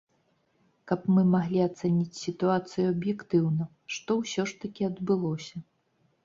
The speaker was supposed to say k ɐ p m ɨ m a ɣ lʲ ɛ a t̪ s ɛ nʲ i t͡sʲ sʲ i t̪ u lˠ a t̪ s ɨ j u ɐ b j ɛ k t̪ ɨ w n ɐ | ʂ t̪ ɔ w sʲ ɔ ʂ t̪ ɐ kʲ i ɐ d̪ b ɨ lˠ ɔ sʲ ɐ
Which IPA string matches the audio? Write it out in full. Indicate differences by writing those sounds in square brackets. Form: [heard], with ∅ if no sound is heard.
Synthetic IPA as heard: k ɐ p m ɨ m a ɣ lʲ [i] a t̪ s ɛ nʲ i t͡sʲ sʲ i t̪ u [∅] a t̪ s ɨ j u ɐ b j ɛ k t̪ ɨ w n ɐ | ʂ t̪ ɔ w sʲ ɔ ʂ t̪ ɐ kʲ i ɐ d̪ b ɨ lˠ ɔ sʲ ɐ

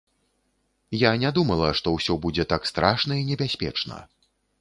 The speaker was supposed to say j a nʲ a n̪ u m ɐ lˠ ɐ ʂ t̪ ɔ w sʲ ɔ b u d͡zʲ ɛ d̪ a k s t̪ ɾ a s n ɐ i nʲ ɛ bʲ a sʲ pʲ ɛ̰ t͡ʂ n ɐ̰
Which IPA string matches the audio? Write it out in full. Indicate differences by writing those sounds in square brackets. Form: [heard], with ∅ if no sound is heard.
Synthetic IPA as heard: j a nʲ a [d̪] u m ɐ lˠ ɐ ʂ t̪ ɔ w sʲ ɔ b u d͡zʲ ɛ [t̪] a k s t̪ ɾ a [ʂ] n ɐ i nʲ ɛ bʲ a sʲ pʲ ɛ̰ t͡ʂ n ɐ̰

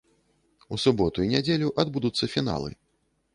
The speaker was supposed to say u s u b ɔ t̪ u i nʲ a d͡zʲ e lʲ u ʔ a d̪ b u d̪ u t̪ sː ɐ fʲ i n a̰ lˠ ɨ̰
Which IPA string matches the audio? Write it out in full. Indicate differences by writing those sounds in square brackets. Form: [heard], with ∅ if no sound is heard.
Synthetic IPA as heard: u s u b ɔ t̪ u i nʲ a d͡zʲ e lʲ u ʔ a d̪ b u d̪ u t̪ sː ɐ fʲ i n a̰ lˠ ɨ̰

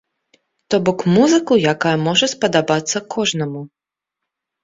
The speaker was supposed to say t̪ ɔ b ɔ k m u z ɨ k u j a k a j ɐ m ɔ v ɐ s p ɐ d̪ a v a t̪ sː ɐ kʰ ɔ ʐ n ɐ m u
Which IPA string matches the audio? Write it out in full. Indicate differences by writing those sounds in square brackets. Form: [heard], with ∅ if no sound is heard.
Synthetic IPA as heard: t̪ ɔ b ɔ k m u z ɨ k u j a k a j ɐ m ɔ [ʐ] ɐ s p ɐ d̪ a [b] a t̪ sː ɐ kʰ ɔ ʐ n ɐ m u

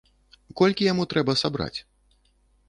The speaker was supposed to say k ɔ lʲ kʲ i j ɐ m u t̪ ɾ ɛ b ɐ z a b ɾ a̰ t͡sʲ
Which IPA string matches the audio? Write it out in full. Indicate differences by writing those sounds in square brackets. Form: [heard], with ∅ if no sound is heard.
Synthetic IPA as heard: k ɔ lʲ kʲ i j [a] m u t̪ ɾ ɛ b ɐ [s] a b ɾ a̰ t͡sʲ

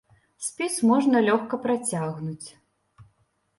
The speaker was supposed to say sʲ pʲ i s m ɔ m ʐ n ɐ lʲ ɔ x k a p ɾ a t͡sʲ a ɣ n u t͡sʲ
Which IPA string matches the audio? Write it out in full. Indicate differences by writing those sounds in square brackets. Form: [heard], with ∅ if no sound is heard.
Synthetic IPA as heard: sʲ pʲ i s m ɔ [∅] ʐ n ɐ lʲ ɔ x k [ɐ] p ɾ a t͡sʲ a ɣ n u t͡sʲ

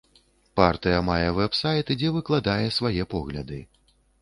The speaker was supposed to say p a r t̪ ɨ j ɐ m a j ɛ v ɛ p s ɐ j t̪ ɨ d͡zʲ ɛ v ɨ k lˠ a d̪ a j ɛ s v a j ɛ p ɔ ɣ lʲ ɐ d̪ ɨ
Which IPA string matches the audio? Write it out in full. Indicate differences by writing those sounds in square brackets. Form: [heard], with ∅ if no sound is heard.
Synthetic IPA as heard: p a r t̪ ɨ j ɐ m a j ɛ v ɛ p s [a] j t̪ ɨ d͡zʲ ɛ v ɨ k lˠ a d̪ a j ɛ s v a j ɛ p ɔ ɣ lʲ ɐ d̪ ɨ

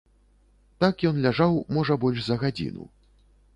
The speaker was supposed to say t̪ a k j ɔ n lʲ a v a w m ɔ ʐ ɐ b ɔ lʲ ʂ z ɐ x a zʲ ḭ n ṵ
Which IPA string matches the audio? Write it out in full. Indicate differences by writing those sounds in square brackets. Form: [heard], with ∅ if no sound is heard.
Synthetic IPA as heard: t̪ a k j ɔ n lʲ a [ʐ] a w m ɔ ʐ ɐ b ɔ lʲ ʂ z ɐ [ɣ] a [d͡zʲ] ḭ n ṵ

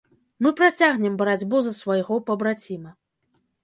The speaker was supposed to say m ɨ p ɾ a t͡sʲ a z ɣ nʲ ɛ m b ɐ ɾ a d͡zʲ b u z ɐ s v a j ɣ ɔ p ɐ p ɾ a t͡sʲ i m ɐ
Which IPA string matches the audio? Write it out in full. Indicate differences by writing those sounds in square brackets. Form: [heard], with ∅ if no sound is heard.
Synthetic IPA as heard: m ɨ p ɾ a t͡sʲ a [∅] ɣ nʲ ɛ m b ɐ ɾ a d͡zʲ b u z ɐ s v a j ɣ ɔ p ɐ [b] ɾ a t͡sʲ i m ɐ

